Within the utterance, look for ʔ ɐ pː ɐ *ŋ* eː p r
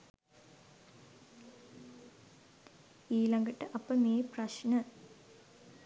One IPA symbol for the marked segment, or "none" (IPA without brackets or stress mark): m